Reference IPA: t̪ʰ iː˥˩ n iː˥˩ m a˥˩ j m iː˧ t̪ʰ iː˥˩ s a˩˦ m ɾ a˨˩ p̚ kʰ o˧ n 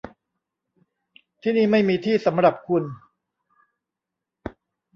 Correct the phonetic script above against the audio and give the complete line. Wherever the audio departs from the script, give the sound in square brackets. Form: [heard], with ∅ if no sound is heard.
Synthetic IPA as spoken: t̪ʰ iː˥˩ n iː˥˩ m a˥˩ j m iː˧ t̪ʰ iː˥˩ s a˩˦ m ɾ a˨˩ p̚ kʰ [u˧] n

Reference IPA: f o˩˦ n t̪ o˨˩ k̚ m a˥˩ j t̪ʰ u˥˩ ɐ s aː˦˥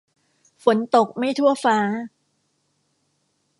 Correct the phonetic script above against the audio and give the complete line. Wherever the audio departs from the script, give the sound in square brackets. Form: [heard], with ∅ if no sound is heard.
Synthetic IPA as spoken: f o˩˦ n t̪ o˨˩ k̚ m a˥˩ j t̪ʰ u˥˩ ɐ [f] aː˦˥

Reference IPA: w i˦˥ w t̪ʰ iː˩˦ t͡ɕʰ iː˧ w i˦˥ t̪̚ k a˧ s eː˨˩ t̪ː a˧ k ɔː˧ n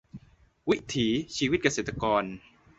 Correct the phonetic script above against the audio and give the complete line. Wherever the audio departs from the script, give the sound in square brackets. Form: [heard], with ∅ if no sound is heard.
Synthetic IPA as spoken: w i˦˥ [∅] t̪ʰ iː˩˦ t͡ɕʰ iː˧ w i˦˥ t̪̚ k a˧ s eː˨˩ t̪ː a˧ k ɔː˧ n

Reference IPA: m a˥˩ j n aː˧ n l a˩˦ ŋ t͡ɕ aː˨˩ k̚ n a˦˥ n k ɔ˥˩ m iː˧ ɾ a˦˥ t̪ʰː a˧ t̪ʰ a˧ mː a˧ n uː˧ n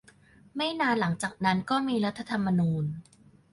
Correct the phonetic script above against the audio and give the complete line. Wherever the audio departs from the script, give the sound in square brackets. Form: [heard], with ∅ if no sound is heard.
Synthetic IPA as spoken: m a˥˩ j n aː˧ n l a˩˦ ŋ t͡ɕ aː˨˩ k̚ n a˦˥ n k [ɔː˥˩] m iː˧ ɾ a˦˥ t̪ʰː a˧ t̪ʰ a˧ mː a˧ n uː˧ n

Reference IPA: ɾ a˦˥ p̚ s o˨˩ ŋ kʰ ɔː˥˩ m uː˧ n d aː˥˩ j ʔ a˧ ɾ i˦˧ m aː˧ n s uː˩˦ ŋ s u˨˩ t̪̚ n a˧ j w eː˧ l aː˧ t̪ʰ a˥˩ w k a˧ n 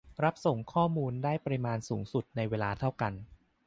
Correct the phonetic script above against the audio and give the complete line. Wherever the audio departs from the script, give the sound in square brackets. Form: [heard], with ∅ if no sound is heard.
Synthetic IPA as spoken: ɾ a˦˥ p̚ s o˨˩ ŋ kʰ ɔː˥˩ m uː˧ n d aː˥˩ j [p] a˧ ɾ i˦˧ m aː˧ n s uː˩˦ ŋ s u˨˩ t̪̚ n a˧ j w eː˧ l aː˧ t̪ʰ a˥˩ w k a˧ n

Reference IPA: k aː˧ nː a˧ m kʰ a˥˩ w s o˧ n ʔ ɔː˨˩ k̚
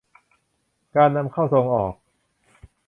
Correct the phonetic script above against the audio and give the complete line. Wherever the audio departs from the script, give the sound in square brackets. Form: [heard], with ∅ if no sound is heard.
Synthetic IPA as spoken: k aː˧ nː a˧ m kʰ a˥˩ w s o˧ [ŋ] ʔ ɔː˨˩ k̚

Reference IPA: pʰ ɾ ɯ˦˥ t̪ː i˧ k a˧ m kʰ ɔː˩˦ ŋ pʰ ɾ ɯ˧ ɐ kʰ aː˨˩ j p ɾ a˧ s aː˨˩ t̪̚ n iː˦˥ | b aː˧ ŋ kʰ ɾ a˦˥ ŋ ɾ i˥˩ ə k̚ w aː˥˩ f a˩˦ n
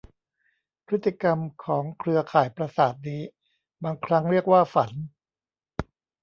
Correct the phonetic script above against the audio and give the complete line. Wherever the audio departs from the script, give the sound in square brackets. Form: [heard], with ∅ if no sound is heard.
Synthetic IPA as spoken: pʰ ɾ ɯ˦˥ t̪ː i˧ k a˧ m kʰ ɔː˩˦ ŋ [kʰ] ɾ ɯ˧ ɐ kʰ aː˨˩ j p ɾ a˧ s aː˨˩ t̪̚ n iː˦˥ | b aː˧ ŋ kʰ ɾ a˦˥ ŋ ɾ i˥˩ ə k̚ w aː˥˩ f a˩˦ n

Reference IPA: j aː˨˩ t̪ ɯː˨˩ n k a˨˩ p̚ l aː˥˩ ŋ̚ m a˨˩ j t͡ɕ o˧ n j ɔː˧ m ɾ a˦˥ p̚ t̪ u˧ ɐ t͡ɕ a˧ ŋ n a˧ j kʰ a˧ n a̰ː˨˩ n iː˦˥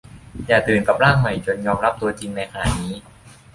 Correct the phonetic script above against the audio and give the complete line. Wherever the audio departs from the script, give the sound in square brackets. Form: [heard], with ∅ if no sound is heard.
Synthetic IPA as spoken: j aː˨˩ t̪ ɯː˨˩ n k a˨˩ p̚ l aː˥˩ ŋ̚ m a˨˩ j t͡ɕ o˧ n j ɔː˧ m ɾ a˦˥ p̚ t̪ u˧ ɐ t͡ɕ [i˧] ŋ n a˧ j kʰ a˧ n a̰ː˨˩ n iː˦˥

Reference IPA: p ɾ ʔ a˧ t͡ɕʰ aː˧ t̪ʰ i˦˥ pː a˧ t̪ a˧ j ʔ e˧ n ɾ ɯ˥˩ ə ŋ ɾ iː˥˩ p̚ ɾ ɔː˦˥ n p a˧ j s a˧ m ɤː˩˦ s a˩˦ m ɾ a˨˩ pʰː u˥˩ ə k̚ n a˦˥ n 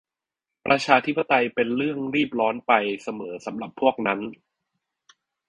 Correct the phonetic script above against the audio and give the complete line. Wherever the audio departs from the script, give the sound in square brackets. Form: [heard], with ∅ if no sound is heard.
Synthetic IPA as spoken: p ɾ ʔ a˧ t͡ɕʰ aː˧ t̪ʰ i˦˥ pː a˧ t̪ a˧ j [p] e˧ n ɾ ɯ˥˩ ə ŋ ɾ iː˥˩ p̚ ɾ ɔː˦˥ n p a˧ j s a˧ m ɤː˩˦ s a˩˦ m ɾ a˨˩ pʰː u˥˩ ə k̚ n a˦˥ n

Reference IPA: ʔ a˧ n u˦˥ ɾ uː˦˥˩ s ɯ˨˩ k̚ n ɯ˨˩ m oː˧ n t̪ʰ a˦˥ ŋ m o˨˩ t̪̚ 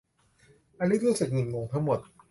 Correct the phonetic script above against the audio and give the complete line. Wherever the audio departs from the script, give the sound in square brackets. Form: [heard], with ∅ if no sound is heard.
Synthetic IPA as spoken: ʔ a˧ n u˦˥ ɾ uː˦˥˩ s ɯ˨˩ k̚ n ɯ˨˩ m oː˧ [ŋ] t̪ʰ a˦˥ ŋ m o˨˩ t̪̚

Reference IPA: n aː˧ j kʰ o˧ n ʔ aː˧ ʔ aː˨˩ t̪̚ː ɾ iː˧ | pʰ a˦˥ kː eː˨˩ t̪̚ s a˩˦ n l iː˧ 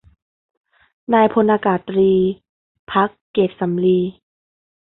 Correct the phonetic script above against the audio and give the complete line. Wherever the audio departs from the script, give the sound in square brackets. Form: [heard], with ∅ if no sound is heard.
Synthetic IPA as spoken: n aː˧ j [pʰ] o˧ n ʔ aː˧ [k] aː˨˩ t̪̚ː ɾ iː˧ | pʰ a˦˥ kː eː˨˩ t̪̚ s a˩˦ [m] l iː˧

